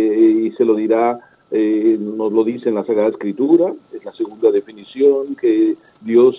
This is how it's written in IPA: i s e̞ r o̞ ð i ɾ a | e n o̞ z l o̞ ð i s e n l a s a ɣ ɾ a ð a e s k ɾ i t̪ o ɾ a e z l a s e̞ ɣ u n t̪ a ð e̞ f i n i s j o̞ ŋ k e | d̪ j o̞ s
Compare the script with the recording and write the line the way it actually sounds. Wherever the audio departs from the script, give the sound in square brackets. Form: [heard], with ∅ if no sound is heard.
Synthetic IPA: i s e̞ [l] o̞ ð i ɾ a | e n o̞ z l o̞ ð i s e n l a s a ɣ ɾ a ð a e s k ɾ i t̪ [u] ɾ a e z l a s e̞ ɣ u n [d̪] a ð e̞ f i n i s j o̞ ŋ k e | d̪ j o̞ s